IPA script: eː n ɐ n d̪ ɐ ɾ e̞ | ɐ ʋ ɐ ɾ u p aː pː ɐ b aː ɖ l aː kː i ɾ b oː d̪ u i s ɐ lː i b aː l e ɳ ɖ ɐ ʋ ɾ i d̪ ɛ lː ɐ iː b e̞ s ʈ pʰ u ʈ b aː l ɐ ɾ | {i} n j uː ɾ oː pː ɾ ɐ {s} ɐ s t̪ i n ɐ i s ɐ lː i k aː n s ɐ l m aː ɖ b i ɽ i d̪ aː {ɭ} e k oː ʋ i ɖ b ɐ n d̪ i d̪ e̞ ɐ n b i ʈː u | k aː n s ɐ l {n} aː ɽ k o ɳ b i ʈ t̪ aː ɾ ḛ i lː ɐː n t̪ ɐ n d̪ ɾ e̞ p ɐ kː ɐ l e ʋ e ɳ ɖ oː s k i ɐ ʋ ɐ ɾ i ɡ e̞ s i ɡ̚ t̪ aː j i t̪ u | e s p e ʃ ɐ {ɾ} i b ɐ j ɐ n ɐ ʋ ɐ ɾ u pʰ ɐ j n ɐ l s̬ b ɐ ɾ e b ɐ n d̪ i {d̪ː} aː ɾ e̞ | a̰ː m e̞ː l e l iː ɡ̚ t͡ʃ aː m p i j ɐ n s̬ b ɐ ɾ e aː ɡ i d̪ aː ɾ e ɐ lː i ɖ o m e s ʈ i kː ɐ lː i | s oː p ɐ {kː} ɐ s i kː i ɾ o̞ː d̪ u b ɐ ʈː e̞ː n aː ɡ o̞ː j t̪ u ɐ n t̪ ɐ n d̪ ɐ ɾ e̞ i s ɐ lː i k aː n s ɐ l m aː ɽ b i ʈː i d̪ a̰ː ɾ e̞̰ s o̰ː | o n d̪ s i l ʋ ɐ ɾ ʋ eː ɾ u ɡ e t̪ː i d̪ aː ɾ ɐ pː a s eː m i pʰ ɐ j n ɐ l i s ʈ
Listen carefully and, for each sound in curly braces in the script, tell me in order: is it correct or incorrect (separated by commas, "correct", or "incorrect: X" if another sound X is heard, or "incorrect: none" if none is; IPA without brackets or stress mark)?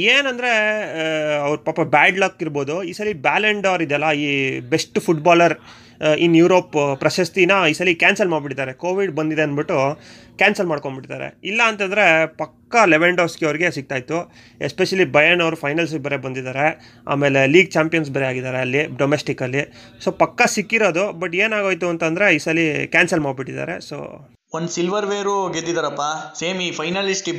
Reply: correct, incorrect: ʃ, incorrect: ɾ, incorrect: m, incorrect: l, incorrect: d̪, correct